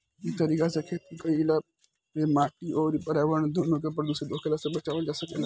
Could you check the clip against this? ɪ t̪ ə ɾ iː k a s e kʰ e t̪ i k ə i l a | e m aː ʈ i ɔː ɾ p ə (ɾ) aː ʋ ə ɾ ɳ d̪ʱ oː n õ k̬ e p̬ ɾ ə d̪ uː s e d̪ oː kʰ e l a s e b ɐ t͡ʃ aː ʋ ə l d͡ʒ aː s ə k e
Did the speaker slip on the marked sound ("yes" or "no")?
no